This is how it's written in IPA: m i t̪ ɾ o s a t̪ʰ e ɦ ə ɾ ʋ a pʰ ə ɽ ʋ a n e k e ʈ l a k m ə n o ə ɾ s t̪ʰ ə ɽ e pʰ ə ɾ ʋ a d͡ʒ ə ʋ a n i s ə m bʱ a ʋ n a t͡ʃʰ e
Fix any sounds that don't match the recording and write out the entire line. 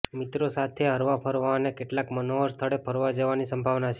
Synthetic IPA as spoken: m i t̪ ɾ o s a t̪ʰ e ɦ ə ɾ ʋ a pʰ ə ɾ ʋ a n e k e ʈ l a k m ə n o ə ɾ s t̪ʰ ə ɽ e pʰ ə ɾ ʋ a d͡ʒ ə ʋ a n i s ə m bʱ a ʋ n a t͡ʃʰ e